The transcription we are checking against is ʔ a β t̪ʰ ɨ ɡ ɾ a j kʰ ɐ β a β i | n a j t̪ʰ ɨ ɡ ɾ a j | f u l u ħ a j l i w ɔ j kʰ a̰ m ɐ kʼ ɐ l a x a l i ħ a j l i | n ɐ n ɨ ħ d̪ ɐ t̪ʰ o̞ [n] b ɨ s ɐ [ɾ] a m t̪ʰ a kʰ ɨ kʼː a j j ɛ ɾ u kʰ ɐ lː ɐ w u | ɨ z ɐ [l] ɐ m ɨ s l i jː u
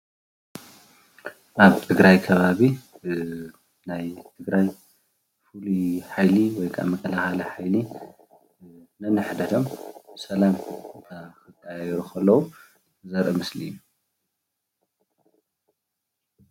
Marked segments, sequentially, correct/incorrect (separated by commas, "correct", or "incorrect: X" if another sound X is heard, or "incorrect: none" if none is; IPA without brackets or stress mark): incorrect: m, incorrect: l, incorrect: ɾ